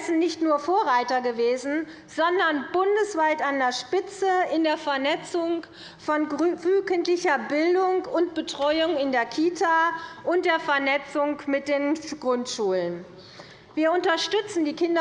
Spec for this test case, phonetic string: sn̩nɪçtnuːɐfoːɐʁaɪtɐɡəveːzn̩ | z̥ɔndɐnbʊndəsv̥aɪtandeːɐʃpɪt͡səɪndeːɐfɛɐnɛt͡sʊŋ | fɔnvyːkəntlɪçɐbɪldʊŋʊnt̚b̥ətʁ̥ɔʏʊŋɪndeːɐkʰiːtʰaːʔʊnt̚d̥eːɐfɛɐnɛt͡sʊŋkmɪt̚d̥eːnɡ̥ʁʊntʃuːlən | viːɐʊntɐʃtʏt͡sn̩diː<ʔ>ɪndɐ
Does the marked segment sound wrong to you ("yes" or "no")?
yes